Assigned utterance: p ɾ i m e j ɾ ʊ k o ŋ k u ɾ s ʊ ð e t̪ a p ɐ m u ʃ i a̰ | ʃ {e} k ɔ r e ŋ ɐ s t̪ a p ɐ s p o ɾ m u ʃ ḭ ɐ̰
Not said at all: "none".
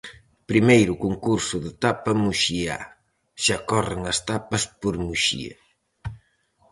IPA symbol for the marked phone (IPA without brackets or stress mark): a